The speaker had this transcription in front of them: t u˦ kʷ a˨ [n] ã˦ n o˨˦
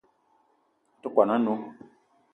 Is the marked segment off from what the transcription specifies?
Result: no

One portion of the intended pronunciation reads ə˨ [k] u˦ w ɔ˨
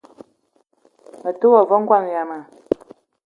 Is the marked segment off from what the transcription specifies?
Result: yes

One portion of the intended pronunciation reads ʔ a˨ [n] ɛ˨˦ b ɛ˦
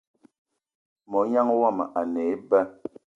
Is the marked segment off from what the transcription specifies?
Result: no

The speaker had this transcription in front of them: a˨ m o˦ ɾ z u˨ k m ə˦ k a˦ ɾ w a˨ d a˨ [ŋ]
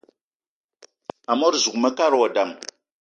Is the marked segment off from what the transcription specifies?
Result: yes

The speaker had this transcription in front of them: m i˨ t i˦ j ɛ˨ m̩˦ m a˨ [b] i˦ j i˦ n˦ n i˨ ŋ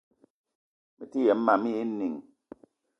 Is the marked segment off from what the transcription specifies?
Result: yes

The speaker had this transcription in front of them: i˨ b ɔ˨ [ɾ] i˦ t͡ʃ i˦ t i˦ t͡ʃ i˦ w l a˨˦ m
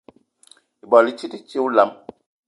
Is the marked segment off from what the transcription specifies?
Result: yes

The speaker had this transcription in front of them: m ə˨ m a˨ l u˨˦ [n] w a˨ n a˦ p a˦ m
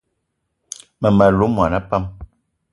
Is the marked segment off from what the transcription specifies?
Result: yes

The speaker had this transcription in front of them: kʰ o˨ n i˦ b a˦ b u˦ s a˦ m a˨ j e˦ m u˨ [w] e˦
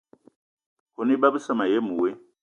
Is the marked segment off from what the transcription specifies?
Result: no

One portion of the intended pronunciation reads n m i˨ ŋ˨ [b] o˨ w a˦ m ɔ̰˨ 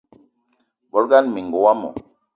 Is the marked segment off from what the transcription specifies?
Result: yes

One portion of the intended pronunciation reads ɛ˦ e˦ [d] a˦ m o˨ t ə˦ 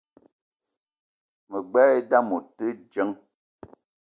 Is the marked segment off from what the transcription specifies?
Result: no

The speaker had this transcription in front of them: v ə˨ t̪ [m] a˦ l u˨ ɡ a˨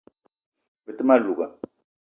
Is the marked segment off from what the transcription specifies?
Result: no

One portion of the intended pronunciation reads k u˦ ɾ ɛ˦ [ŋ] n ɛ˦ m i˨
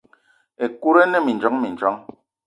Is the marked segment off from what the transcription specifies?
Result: yes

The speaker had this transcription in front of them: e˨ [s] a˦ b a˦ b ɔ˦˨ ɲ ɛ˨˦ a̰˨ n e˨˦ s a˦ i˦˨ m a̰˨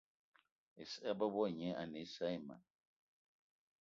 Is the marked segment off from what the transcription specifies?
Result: no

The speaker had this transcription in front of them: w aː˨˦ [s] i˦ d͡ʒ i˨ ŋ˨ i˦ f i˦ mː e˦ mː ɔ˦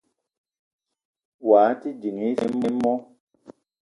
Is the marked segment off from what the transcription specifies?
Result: yes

